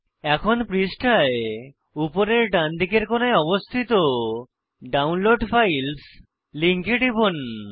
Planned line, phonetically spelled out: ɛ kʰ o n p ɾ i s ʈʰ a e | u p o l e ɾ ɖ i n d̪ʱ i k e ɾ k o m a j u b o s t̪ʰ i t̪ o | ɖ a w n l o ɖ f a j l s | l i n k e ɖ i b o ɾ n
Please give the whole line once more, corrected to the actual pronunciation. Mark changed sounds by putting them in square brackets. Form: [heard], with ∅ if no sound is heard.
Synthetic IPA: ɛ kʰ o n p ɾ i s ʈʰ a e | u p o [ɾ] e ɾ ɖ [a] n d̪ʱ i k e ɾ k o [n] a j [ɔ] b o s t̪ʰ i t̪ o | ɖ a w n l o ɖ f a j l s | l i [ŋ] k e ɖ i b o [∅] n